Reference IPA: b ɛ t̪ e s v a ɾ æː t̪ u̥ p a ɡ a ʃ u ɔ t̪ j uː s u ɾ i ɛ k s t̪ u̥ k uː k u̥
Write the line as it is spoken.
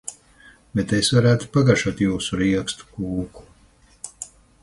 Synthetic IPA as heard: b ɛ t̪ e s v a ɾ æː t̪ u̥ p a ɡ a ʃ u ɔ t̪ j uː s u ɾ i ɛ k s t̪ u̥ k uː k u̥

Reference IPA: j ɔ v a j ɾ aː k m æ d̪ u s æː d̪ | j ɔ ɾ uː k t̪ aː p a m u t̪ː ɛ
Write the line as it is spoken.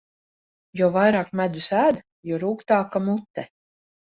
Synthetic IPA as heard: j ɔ v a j ɾ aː k m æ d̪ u s æː d̪ | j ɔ ɾ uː k t̪ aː k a m u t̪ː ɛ

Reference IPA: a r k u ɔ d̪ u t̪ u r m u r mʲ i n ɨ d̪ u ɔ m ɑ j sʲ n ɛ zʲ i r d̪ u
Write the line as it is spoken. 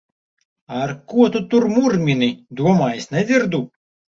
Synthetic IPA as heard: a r k u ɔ t̪ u t̪ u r m u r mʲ i n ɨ d̪ u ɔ m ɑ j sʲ n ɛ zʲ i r d̪ u

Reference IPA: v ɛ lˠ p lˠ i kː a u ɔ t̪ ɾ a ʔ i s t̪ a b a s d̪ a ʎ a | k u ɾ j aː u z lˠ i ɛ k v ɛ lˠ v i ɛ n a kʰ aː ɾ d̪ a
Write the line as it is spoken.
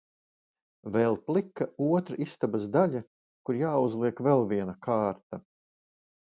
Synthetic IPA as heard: v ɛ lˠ p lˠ i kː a u ɔ t̪ ɾ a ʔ i s t̪ a b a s d̪ a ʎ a | k u ɾ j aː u z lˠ i ɛ k v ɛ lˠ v i ɛ n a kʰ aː ɾ t̪ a

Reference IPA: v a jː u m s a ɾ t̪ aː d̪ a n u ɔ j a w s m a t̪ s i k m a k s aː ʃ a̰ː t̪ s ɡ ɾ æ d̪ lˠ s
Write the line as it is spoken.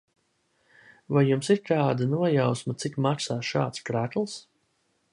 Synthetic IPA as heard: v a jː u m s i ɾ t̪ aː d̪ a n u ɔ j a w s m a t̪ s i k m a k s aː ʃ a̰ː t̪ s k ɾ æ t̪ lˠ s

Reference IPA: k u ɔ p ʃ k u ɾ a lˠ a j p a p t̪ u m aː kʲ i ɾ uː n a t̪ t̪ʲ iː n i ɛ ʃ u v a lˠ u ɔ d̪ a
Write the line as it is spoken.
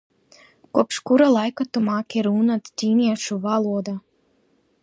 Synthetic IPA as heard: k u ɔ p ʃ k u ɾ a lˠ a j k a t̪ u m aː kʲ i ɾ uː n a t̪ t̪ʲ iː n i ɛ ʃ u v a lˠ u ɔ d̪ a

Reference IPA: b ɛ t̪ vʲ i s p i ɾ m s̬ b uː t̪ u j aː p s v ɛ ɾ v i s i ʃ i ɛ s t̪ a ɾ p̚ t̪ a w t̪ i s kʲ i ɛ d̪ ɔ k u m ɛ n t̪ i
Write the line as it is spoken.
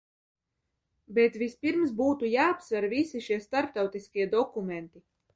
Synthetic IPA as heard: b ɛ t̪ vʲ i s p i ɾ m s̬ b uː t̪ u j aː p s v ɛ ɾ v i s i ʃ i ɛ s t̪ a ɾ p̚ t̪ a w t̪ i s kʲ i ɛ d̪ ɔ k u m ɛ n t̪ i

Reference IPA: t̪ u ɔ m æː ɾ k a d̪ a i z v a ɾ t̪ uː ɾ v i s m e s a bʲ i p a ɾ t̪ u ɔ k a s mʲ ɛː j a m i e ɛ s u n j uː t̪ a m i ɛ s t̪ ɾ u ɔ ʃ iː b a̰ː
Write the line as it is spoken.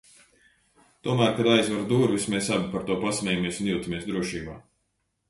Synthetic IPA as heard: t̪ u ɔ m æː ɾ k a d̪ a j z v a ɾ d̪ uː ɾ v i s m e s a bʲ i p a ɾ t̪ u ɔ p a s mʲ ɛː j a m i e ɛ s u n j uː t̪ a m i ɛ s d̪ ɾ u ɔ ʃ iː b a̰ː

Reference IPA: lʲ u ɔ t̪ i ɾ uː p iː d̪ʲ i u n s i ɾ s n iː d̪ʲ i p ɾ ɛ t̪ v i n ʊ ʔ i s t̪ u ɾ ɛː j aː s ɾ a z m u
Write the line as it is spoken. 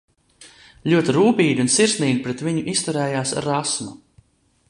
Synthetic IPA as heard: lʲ u ɔ t̪ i ɾ uː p iː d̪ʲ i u n s i ɾ s n iː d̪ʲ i p ɾ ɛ t̪ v i ɲ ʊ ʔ i s t̪ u ɾ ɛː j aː s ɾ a s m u

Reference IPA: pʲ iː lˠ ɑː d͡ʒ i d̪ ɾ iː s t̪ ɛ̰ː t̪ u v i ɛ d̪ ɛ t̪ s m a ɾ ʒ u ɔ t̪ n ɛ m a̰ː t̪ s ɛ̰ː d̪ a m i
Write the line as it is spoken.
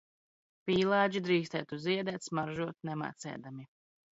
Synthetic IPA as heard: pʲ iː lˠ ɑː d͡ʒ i d̪ ɾ iː s t̪ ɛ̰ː t̪ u z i ɛ d̪ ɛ t̪ s m a ɾ ʒ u ɔ t̪ n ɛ m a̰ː t̪ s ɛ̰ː d̪ a m i

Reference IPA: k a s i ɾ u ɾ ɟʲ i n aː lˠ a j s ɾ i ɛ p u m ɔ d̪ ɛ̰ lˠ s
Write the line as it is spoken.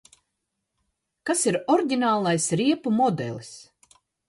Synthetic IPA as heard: k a s i ɾ ɔ ɾ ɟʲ i n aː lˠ a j s ɾ i ɛ p u m ɔ d̪ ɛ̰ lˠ s

